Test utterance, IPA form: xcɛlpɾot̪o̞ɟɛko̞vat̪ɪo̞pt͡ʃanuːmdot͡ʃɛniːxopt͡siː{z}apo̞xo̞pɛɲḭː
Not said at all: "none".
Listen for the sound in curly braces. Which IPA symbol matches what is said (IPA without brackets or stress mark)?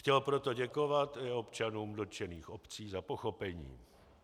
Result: z